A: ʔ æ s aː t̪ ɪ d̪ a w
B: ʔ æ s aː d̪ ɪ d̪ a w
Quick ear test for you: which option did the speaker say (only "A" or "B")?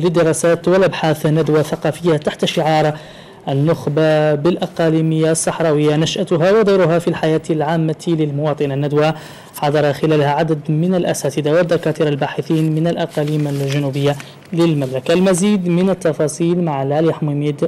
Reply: A